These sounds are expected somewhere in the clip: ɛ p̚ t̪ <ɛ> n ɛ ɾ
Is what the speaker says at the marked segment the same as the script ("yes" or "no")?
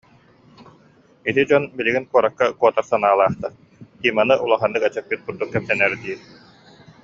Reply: yes